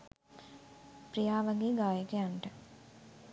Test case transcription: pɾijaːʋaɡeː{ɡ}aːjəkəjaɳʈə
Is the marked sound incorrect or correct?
correct